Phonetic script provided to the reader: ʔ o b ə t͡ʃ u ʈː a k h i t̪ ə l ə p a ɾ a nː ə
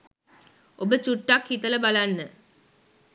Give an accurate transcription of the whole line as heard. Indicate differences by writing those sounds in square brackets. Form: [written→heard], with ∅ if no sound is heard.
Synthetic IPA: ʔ o b ə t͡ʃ u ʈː a k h i t̪ ə l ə [p→b] a [ɾ→l] a nː ə